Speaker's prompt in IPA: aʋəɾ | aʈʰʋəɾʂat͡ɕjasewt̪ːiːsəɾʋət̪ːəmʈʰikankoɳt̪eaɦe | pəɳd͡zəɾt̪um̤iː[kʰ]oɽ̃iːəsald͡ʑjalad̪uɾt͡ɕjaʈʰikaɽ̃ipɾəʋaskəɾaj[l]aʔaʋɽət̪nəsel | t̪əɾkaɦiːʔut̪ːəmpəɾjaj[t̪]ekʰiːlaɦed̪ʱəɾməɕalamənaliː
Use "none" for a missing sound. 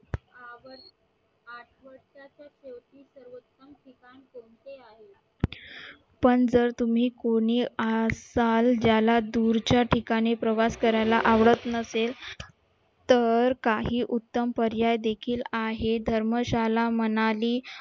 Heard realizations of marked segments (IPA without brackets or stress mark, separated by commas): k, l, d̪